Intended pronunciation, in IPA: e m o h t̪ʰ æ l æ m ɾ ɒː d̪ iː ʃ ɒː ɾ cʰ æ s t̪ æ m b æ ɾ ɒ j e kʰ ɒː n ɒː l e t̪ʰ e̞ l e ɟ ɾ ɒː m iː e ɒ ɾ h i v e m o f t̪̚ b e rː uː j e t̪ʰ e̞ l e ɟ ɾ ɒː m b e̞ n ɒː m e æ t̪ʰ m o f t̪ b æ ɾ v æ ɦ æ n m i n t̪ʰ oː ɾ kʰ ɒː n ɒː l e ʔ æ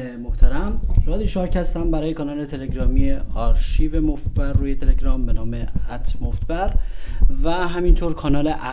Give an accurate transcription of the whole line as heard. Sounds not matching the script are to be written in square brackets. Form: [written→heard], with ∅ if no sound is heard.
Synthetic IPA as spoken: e m o h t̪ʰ æ [l→ɾ] æ m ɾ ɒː d̪ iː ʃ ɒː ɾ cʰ æ s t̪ æ m b æ ɾ [ɒ→ɒː] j e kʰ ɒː n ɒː l e t̪ʰ e̞ l e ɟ ɾ ɒː m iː e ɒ ɾ [h→ʃ] i v e m o f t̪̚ b [e→æ] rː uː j e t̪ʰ e̞ l e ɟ ɾ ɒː m b e̞ n ɒː m e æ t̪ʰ m o f t̪ b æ ɾ v æ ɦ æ [n→∅] m i n t̪ʰ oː ɾ kʰ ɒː n ɒː l e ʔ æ